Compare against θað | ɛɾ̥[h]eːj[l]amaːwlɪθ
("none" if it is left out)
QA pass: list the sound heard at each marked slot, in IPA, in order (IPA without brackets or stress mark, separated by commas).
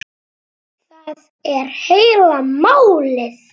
h, l